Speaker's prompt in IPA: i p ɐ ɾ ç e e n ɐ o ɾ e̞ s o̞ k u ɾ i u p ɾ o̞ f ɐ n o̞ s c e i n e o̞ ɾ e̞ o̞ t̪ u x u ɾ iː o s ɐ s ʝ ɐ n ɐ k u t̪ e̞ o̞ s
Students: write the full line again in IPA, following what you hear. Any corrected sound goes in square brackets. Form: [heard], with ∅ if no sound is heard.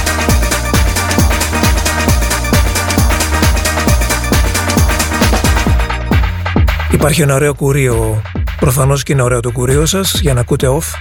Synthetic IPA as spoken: i p ɐ ɾ ç [i] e n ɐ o ɾ e̞ [∅] o̞ k u ɾ i [o] p ɾ o̞ f ɐ n o̞ s c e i n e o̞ ɾ e̞ o̞ t̪ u [k] u ɾ [i] o s ɐ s ʝ ɐ n ɐ k u t̪ e̞ o̞ [f]